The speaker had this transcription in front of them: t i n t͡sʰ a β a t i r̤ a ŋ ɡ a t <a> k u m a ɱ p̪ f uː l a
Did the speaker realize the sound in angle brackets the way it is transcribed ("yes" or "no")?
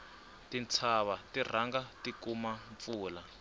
no